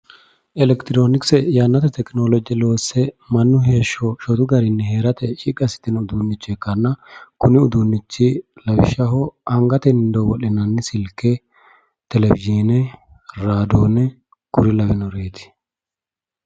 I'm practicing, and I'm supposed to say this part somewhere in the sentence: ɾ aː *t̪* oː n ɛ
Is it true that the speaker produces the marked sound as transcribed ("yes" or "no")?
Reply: no